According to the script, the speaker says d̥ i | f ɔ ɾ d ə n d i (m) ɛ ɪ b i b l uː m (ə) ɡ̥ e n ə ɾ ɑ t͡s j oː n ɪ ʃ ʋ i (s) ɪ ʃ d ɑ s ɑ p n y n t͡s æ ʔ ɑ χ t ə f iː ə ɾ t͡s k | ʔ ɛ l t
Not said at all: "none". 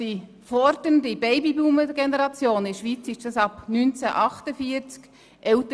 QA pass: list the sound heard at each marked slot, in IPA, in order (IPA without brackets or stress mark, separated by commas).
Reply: b, ə, t͡s